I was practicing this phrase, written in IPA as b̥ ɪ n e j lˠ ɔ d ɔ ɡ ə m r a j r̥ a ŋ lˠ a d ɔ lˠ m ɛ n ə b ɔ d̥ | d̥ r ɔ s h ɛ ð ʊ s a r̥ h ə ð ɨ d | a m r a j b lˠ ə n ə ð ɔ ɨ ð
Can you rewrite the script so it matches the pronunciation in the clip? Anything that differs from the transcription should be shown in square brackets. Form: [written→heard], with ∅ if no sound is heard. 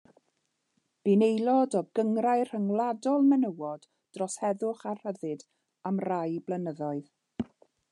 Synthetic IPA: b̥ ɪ n e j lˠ ɔ d ɔ ɡ ə [m→ŋ] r a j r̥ [a→ə] ŋ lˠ a d ɔ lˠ m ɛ n ə [b→w] ɔ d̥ | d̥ r ɔ s h ɛ ð ʊ [s→χ] a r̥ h ə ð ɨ d | a m r a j b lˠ ə n ə ð ɔ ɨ ð